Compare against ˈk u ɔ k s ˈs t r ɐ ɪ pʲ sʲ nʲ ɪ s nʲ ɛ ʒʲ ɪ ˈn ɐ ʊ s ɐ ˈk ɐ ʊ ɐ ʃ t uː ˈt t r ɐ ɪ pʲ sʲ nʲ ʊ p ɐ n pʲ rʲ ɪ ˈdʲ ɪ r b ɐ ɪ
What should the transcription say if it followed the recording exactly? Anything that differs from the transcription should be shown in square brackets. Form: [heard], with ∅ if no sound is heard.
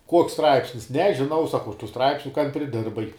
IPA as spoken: ˈk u ɔ k s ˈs t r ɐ ɪ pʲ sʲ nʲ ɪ s nʲ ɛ ʒʲ ɪ ˈn ɐ ʊ s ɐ ˈk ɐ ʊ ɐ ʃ t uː [ˈs] t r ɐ ɪ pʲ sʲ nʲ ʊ [k] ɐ n pʲ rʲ ɪ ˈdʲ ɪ r b ɐ ɪ